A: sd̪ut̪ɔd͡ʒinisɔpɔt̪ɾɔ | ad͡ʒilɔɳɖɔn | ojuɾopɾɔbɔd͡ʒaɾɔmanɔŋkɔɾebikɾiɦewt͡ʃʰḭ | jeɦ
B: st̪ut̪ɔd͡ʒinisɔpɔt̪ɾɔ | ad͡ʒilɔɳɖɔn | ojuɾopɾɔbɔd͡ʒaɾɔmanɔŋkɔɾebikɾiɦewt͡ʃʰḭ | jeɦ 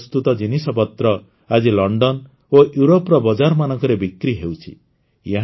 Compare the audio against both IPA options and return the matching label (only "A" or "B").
B